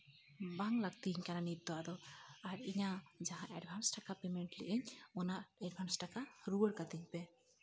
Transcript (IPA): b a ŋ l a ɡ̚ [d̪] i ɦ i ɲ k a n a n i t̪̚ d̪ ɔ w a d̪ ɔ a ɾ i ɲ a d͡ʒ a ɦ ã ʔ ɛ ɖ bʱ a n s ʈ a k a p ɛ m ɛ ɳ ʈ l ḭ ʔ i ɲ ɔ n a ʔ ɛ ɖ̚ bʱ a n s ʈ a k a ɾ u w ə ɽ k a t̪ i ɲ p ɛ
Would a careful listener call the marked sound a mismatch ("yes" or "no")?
yes